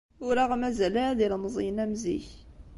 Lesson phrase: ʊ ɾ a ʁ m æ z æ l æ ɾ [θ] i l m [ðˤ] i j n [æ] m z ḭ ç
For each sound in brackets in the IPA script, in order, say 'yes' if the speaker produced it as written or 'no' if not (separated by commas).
no, no, yes